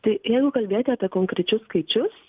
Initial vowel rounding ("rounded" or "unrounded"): unrounded